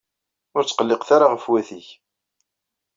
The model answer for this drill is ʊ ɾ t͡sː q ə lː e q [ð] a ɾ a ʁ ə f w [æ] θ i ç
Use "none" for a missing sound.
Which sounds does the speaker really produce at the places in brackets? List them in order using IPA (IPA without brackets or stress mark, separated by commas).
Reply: θ, æ